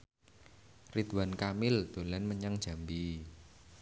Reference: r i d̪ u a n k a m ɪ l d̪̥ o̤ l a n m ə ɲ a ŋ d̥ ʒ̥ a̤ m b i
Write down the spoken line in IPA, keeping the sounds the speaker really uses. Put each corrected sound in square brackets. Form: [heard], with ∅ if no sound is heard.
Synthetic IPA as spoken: r i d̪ [w] a n k a m ɪ l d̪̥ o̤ l a n m ə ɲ a ŋ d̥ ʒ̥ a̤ m b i